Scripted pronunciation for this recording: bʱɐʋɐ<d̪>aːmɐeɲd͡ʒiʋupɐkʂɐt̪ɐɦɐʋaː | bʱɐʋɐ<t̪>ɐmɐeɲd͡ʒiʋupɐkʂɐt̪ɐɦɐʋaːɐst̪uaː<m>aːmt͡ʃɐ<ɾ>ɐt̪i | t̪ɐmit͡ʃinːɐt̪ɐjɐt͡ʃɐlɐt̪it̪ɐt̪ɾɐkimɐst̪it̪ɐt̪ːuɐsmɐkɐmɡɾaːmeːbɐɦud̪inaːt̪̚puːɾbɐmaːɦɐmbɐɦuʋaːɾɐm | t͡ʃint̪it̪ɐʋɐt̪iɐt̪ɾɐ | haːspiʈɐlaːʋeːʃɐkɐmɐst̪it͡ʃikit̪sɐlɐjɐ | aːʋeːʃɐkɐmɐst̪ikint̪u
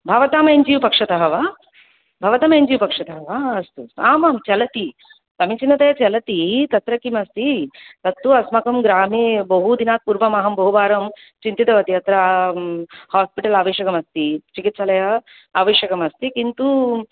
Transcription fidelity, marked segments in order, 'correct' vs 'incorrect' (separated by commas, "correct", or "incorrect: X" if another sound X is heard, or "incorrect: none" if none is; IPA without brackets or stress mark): incorrect: t̪, correct, correct, incorrect: l